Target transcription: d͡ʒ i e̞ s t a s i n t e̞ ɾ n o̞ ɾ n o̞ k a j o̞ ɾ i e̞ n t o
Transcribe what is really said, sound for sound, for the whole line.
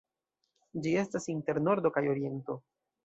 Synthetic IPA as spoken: d͡ʒ i e̞ s t a s i n t e̞ ɾ n o̞ ɾ d o̞ k a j o̞ ɾ i e̞ n t o